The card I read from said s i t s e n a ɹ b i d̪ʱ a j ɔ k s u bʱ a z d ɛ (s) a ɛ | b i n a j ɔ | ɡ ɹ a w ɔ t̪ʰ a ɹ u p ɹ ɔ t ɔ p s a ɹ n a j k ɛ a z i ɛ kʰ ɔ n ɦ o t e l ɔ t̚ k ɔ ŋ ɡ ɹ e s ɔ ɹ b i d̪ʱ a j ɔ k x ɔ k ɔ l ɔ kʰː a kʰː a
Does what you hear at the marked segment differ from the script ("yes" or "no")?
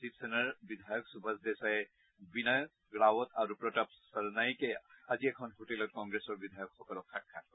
no